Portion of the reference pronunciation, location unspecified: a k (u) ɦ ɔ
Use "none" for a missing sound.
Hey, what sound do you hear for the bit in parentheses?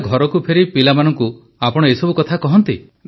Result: ɔ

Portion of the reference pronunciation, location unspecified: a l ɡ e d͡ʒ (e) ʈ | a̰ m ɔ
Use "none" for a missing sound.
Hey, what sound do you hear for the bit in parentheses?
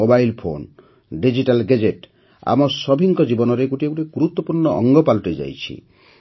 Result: e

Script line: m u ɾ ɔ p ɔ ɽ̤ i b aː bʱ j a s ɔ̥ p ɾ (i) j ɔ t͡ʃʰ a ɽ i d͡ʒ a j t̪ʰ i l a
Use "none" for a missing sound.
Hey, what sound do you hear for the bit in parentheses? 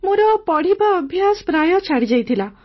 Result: a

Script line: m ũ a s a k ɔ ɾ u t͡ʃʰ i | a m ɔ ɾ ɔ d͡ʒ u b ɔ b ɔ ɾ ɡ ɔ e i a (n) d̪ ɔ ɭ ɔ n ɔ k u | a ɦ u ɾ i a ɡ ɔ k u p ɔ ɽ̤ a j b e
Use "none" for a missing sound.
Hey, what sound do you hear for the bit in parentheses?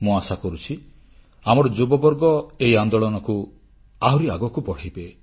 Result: n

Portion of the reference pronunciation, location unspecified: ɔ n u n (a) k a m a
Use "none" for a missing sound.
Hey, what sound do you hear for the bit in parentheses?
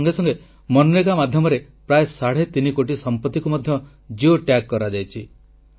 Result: e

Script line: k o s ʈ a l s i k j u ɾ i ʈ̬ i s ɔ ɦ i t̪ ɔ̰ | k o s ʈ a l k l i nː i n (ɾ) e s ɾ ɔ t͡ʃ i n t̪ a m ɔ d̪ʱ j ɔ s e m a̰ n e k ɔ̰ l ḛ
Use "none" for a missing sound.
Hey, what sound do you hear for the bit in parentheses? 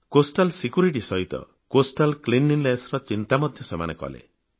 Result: l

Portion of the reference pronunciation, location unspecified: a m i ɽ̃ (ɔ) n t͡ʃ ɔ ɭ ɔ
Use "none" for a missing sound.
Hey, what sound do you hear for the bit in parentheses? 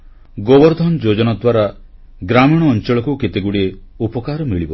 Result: ɔː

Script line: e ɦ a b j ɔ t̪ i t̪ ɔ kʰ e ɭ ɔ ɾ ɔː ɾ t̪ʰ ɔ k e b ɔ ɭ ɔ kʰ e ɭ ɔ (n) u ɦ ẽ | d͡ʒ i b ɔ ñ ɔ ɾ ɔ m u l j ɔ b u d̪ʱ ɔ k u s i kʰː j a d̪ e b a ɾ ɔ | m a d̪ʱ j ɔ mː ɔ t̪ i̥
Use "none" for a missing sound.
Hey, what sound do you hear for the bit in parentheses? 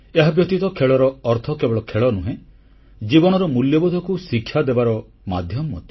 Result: n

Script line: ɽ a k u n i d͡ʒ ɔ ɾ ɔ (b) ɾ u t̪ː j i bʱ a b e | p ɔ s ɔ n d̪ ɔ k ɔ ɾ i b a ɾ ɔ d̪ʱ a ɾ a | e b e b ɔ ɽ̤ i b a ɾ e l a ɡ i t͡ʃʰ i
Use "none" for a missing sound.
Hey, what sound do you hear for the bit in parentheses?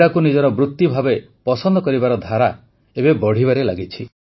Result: b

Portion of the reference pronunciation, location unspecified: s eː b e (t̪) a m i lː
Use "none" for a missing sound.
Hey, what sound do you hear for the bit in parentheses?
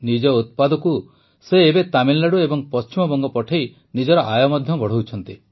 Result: t̪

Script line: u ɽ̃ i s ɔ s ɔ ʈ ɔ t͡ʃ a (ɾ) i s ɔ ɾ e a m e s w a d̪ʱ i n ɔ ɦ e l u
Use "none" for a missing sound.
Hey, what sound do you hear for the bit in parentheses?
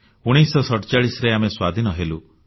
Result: ɭ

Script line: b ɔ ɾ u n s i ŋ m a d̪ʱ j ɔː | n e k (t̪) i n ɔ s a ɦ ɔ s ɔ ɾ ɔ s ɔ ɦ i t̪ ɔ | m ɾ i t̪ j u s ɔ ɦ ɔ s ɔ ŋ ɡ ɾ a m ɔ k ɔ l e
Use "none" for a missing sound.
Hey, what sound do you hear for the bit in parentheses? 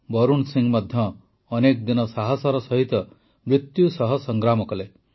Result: d̪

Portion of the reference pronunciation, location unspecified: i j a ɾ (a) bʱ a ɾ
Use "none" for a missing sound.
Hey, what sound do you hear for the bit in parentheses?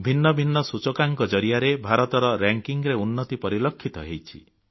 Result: e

